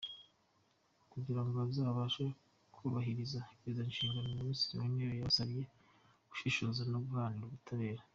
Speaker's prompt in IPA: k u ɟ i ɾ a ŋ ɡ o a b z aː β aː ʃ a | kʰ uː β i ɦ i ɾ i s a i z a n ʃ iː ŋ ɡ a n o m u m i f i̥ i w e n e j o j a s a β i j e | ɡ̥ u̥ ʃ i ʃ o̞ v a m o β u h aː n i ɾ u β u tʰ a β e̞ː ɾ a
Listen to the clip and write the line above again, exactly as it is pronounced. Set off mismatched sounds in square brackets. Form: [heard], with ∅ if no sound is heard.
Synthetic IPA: k u ɟ i ɾ a ŋ ɡ o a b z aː β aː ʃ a | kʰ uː β [a] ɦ i ɾ i [z] a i z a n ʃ iː ŋ ɡ a n o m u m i [s] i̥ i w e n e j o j a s a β i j e | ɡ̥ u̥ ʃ i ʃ o̞ [z] a [n] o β u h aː n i ɾ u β u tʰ a β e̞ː ɾ a